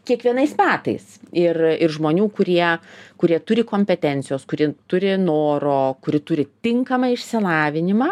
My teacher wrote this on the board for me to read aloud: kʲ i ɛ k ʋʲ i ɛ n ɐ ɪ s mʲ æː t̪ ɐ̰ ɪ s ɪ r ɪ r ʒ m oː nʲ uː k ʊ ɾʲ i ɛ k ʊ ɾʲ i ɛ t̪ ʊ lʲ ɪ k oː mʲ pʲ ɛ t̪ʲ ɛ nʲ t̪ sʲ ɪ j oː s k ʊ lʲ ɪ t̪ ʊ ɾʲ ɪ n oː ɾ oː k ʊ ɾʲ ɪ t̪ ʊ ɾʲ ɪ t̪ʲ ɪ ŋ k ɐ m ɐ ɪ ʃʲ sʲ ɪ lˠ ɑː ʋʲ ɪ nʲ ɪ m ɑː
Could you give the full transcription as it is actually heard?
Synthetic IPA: kʲ i ɛ k ʋʲ i ɛ n ɐ ɪ s mʲ æː t̪ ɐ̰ ɪ s ɪ r ɪ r ʒ m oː nʲ uː k ʊ ɾʲ i ɛ k ʊ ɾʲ i ɛ t̪ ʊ ɾʲ ɪ k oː mʲ pʲ ɛ t̪ʲ ɛ nʲ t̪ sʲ ɪ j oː s k ʊ ɾʲ ɪ t̪ ʊ ɾʲ ɪ n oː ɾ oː k ʊ ɾʲ ɪ t̪ ʊ ɾʲ ɪ t̪ʲ ɪ ŋ k ɐ m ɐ ɪ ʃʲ sʲ ɪ lˠ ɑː ʋʲ ɪ nʲ ɪ m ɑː

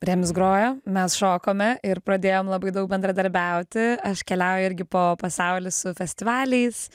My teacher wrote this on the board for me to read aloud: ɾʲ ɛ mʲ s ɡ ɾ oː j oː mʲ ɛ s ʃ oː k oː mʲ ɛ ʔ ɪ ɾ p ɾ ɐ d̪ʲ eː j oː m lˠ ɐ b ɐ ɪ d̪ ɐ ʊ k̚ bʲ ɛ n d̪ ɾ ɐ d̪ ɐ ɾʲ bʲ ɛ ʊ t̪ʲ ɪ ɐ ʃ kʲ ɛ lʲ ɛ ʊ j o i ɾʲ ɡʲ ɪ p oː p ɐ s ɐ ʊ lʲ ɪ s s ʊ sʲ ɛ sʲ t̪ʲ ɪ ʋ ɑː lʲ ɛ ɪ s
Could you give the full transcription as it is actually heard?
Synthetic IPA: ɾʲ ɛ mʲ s ɡ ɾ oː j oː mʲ ɛ s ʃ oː k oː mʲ ɛ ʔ ɪ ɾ p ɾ ɐ d̪ʲ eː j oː m lˠ ɐ b ɐ ɪ d̪ ɐ ʊ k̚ bʲ ɛ n d̪ ɾ ɐ d̪ ɐ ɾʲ bʲ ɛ ʊ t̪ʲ ɪ ɐ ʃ kʲ ɛ lʲ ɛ ʊ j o ɪ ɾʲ ɡʲ ɪ p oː p ɐ s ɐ ʊ lʲ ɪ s s ʊ fʲ ɛ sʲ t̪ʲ ɪ ʋ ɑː lʲ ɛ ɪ s

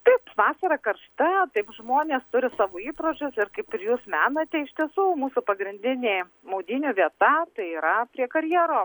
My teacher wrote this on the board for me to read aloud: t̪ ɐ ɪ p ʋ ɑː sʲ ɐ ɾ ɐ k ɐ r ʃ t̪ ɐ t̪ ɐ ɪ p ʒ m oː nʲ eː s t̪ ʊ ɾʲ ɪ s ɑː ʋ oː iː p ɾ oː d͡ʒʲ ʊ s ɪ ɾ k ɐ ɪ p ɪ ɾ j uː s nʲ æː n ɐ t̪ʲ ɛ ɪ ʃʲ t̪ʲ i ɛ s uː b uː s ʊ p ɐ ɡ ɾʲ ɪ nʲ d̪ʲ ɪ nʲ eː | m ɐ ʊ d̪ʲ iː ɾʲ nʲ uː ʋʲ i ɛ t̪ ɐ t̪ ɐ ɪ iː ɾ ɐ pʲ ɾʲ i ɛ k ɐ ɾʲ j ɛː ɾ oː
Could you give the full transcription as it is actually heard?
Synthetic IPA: t̪ ɐ ɪ p ʋ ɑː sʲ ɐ ɾ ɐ k ɐ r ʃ t̪ ɐ t̪ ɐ ɪ p ʒ m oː nʲ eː s t̪ ʊ ɾʲ ɪ s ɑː ʋ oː iː p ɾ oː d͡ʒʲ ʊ s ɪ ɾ k ɐ ɪ p ɪ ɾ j uː s mʲ æː n ɐ t̪ʲ ɛ ɪ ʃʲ t̪ʲ i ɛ s uː m uː s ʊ p ɐ ɡ ɾʲ ɪ nʲ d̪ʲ ɪ nʲ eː | m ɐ ʊ d̪ʲ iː nʲ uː ʋʲ i ɛ t̪ ɐ t̪ ɐ ɪ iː ɾ ɐ pʲ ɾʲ i ɛ k ɐ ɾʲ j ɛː ɾ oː

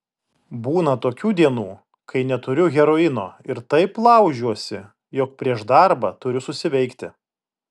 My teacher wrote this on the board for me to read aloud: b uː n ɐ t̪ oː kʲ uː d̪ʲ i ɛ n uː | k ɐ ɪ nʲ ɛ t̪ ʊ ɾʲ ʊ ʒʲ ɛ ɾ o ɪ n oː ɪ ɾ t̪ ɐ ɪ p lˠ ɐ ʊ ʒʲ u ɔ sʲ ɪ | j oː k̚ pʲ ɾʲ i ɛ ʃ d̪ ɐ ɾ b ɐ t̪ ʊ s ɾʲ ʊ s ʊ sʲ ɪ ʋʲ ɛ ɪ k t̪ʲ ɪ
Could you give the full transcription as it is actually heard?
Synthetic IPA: b uː n ɐ t̪ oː kʲ uː d̪ʲ i ɛ n uː | k ɐ ɪ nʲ ɛ t̪ ʊ ɾʲ ʊ ɣʲ ɛ ɾ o ɪ n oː ɪ ɾ t̪ ɐ ɪ p lˠ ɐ ʊ ʒʲ u ɔ sʲ ɪ | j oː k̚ pʲ ɾʲ i ɛ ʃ d̪ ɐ ɾ b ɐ t̪ ʊ ɾʲ ʊ s ʊ sʲ ɪ ʋʲ ɛ ɪ k t̪ʲ ɪ

